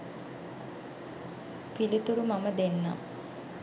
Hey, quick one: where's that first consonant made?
lips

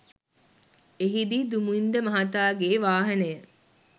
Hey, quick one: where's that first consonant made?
throat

